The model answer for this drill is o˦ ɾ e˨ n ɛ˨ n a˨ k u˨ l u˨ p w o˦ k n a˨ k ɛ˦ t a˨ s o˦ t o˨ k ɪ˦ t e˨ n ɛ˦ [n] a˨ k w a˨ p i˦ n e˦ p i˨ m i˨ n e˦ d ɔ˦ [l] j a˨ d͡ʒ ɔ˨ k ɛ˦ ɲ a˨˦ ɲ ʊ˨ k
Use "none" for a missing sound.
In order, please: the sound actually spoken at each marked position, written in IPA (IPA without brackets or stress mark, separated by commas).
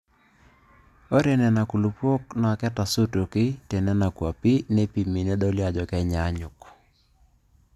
n, l